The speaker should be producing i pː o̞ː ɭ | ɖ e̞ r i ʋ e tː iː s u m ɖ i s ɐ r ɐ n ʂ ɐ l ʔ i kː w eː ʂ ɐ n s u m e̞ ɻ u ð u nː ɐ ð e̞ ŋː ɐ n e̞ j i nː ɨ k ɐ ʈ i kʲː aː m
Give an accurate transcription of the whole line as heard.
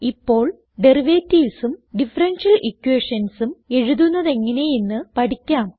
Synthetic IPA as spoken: i pː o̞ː ɭ | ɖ e̞ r i ʋ e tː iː s u m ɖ i f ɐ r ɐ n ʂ ɐ l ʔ i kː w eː ʂ ɐ n s u m e̞ ɻ u ð u nː ɐ ð e̞ ŋː ɐ n e̞ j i nː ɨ p ɐ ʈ i kʲː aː m